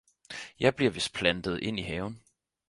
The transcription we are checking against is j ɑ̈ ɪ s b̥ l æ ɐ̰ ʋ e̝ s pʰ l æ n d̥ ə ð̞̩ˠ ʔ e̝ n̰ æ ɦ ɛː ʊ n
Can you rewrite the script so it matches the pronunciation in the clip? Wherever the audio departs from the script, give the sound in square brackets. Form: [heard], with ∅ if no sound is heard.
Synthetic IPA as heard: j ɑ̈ ɪ [∅] b̥ l [i] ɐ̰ ʋ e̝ s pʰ l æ n d̥ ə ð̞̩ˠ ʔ e̝ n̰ [i] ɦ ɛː ʊ n